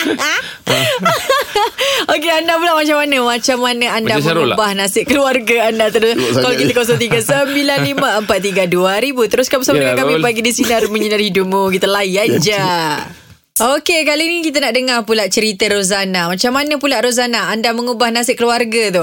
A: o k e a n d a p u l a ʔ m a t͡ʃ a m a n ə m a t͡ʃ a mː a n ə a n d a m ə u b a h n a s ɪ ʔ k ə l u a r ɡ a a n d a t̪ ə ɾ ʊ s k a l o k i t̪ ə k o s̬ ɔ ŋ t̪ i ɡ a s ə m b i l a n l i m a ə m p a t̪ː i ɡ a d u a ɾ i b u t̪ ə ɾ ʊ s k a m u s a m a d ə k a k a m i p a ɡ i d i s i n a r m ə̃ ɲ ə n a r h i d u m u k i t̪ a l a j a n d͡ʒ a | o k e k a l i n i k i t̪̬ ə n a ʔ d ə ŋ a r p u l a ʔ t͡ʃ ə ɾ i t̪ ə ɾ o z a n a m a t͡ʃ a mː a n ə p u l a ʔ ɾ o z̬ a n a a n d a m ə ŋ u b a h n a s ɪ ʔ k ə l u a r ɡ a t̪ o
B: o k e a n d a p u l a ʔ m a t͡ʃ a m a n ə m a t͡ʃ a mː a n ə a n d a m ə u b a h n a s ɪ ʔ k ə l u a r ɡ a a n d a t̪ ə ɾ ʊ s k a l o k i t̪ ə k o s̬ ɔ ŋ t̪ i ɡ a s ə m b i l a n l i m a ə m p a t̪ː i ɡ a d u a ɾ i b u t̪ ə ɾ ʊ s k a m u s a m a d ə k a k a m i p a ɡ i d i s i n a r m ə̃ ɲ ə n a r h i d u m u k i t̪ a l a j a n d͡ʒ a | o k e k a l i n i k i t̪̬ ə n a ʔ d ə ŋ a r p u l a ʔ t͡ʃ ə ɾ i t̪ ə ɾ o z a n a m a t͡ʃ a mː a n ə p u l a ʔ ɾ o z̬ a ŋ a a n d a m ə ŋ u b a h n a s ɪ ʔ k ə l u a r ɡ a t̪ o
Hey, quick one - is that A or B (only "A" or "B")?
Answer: A